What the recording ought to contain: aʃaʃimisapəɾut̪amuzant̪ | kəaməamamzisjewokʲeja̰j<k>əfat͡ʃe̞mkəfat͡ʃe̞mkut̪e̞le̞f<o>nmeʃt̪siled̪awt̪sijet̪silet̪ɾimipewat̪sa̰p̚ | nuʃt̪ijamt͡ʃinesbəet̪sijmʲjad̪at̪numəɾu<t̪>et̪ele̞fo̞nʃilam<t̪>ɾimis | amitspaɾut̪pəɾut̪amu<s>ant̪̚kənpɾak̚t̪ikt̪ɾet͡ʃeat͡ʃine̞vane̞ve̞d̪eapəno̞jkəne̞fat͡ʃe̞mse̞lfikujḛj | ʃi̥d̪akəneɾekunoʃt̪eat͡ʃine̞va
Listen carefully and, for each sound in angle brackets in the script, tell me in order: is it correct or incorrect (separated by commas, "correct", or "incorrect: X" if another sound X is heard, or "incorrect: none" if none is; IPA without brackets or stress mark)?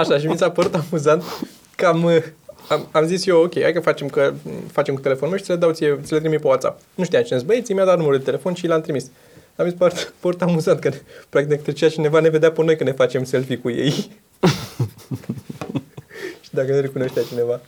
correct, correct, incorrect: d̪, correct, incorrect: z